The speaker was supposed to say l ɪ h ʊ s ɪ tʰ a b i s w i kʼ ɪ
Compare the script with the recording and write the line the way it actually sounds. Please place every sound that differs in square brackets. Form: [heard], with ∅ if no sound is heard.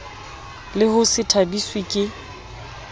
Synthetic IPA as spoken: l ɪ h ʊ s ɪ tʰ a b i s w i kʼ ɪ